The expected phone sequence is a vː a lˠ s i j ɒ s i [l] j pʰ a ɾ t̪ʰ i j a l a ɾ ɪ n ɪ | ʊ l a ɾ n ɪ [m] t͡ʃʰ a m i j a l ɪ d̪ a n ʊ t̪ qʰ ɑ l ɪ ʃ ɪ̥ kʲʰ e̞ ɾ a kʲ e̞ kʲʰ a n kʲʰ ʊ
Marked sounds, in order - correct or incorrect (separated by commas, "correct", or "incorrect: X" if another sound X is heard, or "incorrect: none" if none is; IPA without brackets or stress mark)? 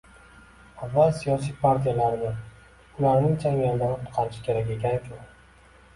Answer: incorrect: none, incorrect: ŋ